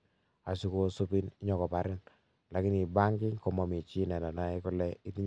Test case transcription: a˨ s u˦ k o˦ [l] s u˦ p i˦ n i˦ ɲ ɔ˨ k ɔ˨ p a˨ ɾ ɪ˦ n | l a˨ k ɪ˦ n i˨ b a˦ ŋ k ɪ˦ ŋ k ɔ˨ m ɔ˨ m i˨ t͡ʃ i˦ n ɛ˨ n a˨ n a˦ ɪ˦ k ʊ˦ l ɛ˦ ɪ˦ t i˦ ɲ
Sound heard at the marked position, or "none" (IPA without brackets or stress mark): none